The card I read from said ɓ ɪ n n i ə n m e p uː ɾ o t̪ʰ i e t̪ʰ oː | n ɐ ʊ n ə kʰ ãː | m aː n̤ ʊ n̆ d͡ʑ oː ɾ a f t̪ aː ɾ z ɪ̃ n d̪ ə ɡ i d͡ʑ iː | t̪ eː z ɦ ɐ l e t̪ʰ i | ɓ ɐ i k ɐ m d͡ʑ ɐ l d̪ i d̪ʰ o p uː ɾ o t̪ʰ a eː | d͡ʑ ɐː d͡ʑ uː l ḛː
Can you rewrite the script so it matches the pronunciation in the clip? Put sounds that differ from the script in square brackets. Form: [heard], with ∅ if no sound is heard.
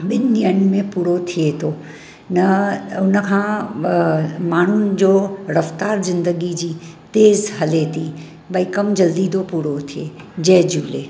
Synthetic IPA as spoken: ɓ ɪ n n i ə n m [ẽ] p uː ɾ o t̪ʰ i e t̪ʰ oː | n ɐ ʊ n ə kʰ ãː | m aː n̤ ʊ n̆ d͡ʑ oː ɾ [ɐ] f t̪ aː ɾ z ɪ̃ n d̪ ə ɡ i d͡ʑ iː | t̪ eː z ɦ ɐ l e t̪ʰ i | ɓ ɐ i k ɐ m d͡ʑ ɐ l d̪ i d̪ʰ o p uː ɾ o t̪ʰ [i] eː | d͡ʑ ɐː d͡ʑ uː l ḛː